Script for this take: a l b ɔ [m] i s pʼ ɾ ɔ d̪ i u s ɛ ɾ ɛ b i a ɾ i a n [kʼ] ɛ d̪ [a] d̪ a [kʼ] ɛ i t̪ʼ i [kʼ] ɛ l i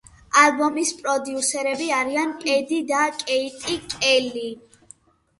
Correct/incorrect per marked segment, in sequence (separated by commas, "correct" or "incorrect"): correct, correct, incorrect, correct, correct